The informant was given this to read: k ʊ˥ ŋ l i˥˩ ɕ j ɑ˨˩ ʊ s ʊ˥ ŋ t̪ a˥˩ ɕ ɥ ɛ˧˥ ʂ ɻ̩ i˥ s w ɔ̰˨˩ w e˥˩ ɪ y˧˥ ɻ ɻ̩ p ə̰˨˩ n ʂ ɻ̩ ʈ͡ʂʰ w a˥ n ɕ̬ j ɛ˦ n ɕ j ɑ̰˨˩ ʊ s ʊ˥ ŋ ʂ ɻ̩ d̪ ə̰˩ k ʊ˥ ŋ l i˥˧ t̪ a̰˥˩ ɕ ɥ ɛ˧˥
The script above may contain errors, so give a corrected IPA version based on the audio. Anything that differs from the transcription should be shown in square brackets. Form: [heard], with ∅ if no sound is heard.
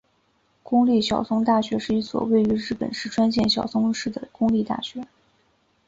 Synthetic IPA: k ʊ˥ ŋ l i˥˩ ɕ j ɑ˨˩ ʊ s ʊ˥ ŋ t̪ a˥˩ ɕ ɥ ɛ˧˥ ʂ ɻ̩ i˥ s w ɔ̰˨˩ w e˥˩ ɪ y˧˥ ɻ ɻ̩ p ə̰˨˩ n ʂ ɻ̩ ʈ͡ʂʰ w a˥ n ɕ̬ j [ɛ˥˩] n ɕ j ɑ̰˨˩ ʊ s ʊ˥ ŋ ʂ ɻ̩ d̪ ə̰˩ k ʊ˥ ŋ l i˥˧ t̪ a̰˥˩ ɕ ɥ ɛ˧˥